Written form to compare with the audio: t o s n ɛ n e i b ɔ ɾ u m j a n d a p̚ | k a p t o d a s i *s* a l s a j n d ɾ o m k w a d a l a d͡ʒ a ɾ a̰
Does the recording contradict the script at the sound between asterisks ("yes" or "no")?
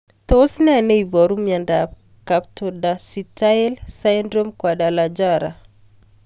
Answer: yes